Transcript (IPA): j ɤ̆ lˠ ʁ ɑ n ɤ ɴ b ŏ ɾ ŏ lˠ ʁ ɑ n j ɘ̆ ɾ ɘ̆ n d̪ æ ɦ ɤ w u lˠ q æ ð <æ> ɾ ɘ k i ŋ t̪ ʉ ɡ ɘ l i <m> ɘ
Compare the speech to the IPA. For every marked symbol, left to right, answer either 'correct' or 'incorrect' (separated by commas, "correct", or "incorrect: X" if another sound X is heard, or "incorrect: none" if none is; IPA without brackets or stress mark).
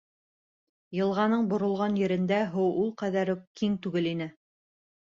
correct, incorrect: n